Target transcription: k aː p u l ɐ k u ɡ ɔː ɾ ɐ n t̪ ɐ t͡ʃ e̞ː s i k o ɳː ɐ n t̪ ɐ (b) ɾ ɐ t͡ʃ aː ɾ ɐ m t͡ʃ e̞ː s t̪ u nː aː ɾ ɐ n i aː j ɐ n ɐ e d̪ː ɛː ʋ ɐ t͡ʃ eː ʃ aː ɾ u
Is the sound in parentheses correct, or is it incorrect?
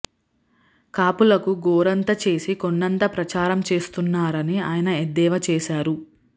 incorrect